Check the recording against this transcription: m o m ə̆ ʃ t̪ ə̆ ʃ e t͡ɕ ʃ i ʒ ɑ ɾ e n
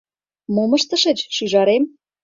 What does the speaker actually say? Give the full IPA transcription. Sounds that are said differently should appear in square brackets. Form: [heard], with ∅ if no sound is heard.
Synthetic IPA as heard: m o m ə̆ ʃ t̪ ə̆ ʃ e t͡ɕ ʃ [y] ʒ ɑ ɾ e [m]